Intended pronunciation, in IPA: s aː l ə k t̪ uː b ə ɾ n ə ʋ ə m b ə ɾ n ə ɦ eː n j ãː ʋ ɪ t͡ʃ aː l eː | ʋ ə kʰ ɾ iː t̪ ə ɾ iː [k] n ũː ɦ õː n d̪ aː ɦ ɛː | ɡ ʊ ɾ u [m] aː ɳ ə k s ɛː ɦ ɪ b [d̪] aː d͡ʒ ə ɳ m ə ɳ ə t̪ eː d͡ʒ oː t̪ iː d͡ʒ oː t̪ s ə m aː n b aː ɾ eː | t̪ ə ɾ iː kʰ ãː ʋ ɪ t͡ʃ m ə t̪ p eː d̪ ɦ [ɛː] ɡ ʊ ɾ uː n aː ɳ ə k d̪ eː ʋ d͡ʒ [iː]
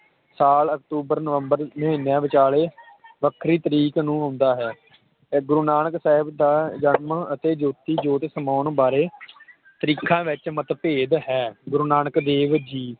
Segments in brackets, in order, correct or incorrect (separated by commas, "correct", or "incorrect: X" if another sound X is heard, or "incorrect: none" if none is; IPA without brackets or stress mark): correct, incorrect: n, correct, correct, correct